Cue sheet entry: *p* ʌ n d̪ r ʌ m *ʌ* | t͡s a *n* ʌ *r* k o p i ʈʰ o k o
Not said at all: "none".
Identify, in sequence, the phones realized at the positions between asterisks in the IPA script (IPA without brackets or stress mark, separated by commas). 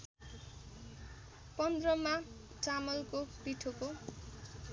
p, a, m, l